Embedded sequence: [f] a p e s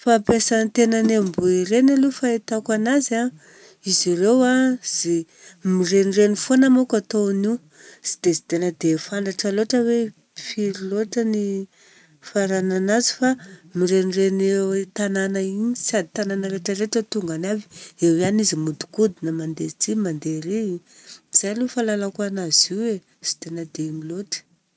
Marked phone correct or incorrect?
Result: correct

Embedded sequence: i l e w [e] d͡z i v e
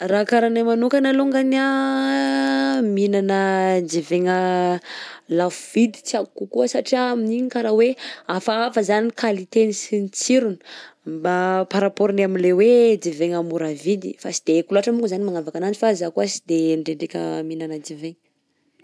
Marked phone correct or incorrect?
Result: correct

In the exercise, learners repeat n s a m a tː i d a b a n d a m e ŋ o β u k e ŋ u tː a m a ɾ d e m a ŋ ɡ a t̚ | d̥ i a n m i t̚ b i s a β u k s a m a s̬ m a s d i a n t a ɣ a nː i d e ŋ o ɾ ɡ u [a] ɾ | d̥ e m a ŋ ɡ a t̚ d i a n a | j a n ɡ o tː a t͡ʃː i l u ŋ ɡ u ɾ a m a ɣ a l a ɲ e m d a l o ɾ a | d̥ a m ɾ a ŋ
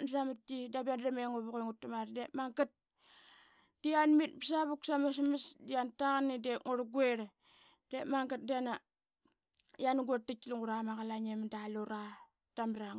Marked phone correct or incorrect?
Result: incorrect: e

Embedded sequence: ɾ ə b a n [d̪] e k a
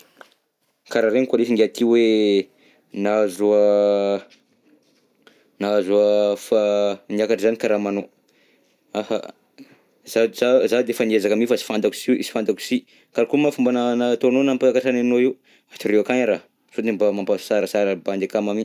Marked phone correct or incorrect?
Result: correct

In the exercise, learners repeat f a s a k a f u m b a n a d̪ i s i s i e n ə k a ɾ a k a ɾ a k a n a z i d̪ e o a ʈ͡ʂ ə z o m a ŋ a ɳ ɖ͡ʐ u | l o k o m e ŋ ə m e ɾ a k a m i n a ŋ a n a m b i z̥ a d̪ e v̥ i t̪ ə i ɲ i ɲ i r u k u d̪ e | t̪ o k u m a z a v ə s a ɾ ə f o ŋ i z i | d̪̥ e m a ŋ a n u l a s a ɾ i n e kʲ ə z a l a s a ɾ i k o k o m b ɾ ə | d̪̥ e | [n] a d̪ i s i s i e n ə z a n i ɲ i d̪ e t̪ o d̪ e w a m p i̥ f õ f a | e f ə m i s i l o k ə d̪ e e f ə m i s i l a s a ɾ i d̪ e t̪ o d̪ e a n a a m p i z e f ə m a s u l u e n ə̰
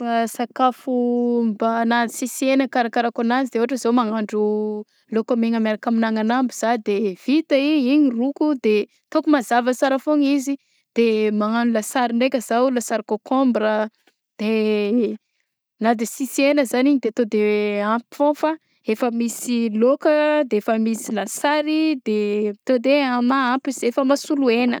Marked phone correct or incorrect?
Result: correct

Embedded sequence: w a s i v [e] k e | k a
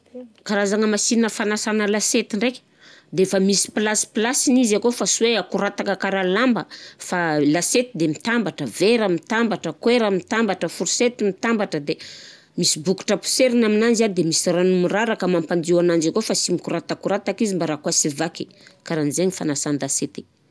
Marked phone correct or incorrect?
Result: incorrect: a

